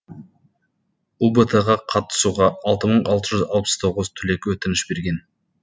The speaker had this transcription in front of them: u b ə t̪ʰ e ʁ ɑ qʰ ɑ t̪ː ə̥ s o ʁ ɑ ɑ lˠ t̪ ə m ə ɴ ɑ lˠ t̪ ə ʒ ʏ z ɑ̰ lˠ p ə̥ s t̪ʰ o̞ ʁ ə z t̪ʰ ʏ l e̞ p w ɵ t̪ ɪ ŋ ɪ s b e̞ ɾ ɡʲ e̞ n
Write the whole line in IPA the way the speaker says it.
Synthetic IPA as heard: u b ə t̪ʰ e ʁ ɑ qʰ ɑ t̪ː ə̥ s u ʁ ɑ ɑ lˠ t̪ ə m ə ɴ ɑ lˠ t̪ ə ʒ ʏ z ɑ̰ lˠ p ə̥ s t̪ʰ o̞ ʁ ə z t̪ʰ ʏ l e̞ k w ɵ t̪ ɪ n ɪ ʃ b e̞ ɾ ɡʲ e̞ n